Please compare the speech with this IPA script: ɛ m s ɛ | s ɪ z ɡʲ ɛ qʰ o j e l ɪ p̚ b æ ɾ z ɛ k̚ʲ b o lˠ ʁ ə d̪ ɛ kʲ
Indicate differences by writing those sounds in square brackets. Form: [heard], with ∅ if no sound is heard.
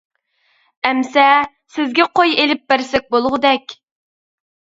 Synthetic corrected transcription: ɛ m s ɛ | s ɪ z ɡʲ ɛ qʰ o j e l ɪ p̚ b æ ɾ [s] ɛ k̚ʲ b o lˠ ʁ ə d̪ ɛ kʲ

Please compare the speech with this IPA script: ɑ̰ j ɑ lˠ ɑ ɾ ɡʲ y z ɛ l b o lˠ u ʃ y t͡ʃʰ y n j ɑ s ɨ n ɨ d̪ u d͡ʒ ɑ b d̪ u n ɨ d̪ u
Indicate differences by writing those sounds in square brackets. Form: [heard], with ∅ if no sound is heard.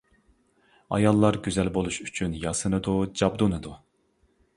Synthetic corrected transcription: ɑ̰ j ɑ [lˠː] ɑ ɾ ɡʲ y z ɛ l b o lˠ u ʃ y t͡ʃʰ y n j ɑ s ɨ n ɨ d̪ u d͡ʒ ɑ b d̪ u n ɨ d̪ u

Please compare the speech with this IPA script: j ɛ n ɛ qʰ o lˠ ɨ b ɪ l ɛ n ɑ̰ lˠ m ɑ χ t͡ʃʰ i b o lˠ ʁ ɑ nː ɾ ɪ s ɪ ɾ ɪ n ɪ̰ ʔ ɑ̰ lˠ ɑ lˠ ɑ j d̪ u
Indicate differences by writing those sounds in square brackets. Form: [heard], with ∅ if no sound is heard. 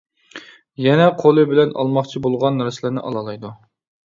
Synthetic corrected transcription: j ɛ n ɛ qʰ o lˠ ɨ b ɪ l ɛ n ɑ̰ lˠ m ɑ χ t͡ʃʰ i b o lˠ ʁ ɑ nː ɾ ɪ s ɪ [l] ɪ n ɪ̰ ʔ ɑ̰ lˠ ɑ lˠ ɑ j d̪ u

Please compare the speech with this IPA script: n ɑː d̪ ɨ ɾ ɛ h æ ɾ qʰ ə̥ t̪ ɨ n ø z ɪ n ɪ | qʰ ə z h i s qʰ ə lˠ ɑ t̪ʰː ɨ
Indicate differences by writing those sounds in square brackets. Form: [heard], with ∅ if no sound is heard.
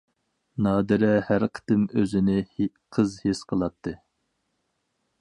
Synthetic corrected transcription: n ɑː d̪ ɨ ɾ ɛ h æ ɾ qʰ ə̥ t̪ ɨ [m] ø z ɪ n ɪ | qʰ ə z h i s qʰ ə lˠ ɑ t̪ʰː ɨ

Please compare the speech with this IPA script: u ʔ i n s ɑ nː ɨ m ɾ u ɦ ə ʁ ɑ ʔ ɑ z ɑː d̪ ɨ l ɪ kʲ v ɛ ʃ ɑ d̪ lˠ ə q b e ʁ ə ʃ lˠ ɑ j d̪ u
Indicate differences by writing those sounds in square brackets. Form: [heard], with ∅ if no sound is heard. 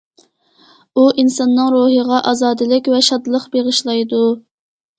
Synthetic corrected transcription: u ʔ i n s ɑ nː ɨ [ŋ] ɾ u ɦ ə ʁ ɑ ʔ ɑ z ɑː d̪ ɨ l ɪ kʲ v ɛ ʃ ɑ d̪ lˠ ə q b e ʁ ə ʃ lˠ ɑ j d̪ u

